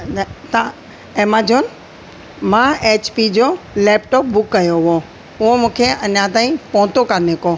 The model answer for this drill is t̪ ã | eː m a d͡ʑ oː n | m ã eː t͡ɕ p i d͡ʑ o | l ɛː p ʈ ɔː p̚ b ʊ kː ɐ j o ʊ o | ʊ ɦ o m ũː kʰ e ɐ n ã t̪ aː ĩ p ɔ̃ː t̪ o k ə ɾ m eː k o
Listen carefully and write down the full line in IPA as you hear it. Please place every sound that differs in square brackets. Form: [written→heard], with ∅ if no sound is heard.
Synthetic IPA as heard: t̪ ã | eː m a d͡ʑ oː n | m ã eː t͡ɕ p i d͡ʑ o | l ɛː p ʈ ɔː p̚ b ʊ kː ɐ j o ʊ o | ʊ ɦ o m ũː kʰ e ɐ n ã t̪ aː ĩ p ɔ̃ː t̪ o k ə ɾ [m→n] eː k o